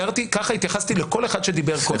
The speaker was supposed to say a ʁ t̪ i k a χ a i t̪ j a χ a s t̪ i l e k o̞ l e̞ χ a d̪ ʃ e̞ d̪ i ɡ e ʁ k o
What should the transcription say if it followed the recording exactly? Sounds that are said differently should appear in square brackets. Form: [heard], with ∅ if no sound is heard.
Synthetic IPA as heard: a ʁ t̪ i k a χ a i t̪ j a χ a s t̪ i l e k o̞ l e̞ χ a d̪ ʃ e̞ d̪ i [b] e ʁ k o